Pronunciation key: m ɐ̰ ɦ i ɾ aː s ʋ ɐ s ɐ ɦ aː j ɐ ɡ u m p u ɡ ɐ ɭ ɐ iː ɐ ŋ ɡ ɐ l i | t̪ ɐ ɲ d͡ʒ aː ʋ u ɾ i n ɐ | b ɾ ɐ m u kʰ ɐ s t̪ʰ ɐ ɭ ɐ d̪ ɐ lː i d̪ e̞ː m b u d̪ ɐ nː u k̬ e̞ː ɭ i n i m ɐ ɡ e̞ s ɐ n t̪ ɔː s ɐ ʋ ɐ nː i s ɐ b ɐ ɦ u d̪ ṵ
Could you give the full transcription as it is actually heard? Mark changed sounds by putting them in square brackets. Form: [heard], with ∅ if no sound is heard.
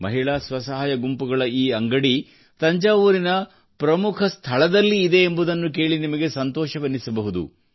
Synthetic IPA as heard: m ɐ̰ ɦ i [ɭ] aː s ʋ ɐ s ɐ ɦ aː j ɐ ɡ u m p u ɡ ɐ ɭ ɐ iː ɐ ŋ ɡ ɐ [ɽ] i | t̪ ɐ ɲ d͡ʒ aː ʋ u ɾ i n ɐ | [p] ɾ ɐ m u kʰ ɐ s t̪ʰ ɐ ɭ ɐ d̪ ɐ lː [iː] d̪ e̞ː m b u d̪ ɐ nː u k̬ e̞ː ɭ i n i m ɐ ɡ e̞ s ɐ n t̪ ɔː [ʃ] ɐ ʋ ɐ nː i s ɐ b ɐ ɦ u d̪ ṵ